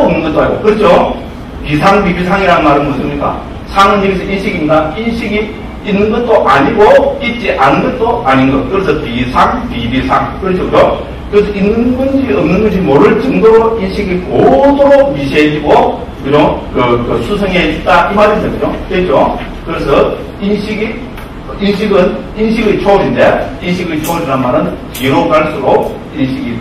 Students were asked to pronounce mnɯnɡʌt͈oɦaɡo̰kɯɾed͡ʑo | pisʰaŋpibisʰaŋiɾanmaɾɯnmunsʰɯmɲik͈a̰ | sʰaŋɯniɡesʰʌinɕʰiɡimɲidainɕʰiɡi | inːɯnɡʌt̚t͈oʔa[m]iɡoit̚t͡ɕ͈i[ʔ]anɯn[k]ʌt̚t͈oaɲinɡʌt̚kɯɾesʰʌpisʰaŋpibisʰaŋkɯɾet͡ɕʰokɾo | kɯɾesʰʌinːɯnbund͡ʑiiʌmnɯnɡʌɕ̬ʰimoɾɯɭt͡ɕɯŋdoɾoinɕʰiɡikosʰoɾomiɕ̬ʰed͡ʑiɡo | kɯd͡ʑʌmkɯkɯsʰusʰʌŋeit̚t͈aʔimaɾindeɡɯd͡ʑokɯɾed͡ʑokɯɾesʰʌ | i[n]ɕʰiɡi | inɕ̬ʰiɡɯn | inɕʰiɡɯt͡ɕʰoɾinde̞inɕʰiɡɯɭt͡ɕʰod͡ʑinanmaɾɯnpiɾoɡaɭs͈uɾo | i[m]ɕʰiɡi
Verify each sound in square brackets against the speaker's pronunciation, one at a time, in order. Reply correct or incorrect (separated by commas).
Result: incorrect, correct, incorrect, correct, incorrect